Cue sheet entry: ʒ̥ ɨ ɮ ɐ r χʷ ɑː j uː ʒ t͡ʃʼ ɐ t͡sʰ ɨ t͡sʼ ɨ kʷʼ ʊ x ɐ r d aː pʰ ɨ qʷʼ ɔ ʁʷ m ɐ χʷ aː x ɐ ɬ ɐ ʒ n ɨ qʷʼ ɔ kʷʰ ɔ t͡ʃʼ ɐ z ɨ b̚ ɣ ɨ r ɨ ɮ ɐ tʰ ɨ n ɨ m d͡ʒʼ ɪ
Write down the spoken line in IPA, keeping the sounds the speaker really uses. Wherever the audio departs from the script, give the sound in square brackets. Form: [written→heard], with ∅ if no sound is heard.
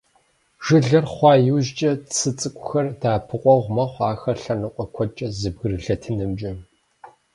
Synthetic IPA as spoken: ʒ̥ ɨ ɮ ɐ r χʷ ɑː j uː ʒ t͡ʃʼ ɐ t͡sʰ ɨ t͡sʼ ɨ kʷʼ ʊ x ɐ r d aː pʰ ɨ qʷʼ ɔ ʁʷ m ɐ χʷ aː x ɐ ɬ ɐ [ʒ→∅] n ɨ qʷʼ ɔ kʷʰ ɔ t͡ʃʼ ɐ z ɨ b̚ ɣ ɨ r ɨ ɮ ɐ tʰ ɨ n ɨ m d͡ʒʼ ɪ